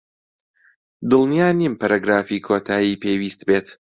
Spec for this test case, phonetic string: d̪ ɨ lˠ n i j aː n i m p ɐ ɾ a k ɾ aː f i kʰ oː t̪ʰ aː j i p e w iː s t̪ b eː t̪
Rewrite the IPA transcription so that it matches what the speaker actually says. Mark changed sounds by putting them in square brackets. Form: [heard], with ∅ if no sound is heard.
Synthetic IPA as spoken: d̪ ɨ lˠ n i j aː n i m p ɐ ɾ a [ɡ] ɾ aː f i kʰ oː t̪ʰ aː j i p e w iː s t̪ b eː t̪